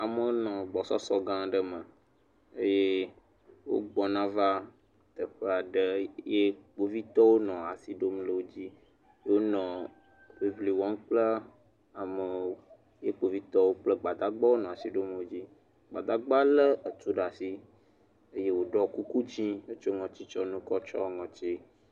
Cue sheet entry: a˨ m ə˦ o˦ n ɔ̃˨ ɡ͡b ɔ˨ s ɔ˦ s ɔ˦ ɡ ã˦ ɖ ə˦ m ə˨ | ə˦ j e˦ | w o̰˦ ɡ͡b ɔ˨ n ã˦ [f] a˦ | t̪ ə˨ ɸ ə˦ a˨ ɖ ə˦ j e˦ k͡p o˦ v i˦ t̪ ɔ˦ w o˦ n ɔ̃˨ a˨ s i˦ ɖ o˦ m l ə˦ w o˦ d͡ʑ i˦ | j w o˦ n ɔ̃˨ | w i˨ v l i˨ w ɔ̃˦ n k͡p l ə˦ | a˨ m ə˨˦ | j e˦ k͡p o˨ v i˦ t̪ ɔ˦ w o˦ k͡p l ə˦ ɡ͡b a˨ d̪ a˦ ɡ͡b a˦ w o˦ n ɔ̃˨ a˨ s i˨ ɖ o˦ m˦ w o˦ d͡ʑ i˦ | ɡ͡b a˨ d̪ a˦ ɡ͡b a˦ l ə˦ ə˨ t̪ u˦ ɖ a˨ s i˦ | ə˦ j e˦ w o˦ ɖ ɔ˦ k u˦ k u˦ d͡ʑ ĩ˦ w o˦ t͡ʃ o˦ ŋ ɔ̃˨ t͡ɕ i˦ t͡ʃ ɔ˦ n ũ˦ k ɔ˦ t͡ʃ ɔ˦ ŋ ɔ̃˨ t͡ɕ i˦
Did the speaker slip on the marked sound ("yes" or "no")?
yes